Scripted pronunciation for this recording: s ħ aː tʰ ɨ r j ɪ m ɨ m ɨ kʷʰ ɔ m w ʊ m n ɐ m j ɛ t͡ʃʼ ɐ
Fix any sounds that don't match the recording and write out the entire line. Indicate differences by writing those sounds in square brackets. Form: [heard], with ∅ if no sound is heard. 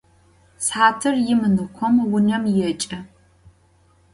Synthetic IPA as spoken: s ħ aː tʰ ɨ r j ɪ m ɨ [n] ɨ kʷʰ ɔ m w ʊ [∅] n ɐ m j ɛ t͡ʃʼ ɐ